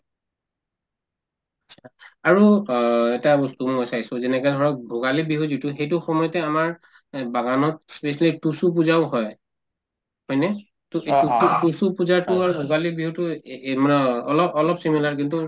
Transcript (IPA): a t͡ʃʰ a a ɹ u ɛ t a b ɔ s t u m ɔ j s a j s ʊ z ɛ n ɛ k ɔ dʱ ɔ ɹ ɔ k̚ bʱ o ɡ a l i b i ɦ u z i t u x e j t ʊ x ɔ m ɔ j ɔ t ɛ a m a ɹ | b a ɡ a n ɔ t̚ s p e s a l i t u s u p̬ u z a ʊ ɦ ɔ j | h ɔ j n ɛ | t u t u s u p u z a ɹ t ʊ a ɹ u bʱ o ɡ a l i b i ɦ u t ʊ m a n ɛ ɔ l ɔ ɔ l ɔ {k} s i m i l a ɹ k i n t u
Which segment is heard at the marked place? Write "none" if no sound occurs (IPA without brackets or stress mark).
p